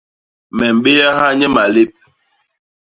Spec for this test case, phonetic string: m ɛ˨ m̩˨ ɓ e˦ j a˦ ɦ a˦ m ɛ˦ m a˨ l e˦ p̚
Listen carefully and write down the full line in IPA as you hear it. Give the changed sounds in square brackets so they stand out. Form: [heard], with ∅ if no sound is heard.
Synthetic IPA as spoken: m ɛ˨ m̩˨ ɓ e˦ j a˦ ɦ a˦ [ɲ] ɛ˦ m a˨ l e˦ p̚